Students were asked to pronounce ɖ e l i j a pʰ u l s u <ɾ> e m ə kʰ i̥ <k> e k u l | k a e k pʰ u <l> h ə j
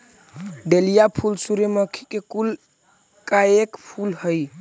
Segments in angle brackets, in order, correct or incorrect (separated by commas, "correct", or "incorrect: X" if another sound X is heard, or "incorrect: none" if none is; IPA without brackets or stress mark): correct, correct, correct